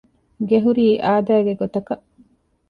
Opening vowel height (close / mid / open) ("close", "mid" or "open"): mid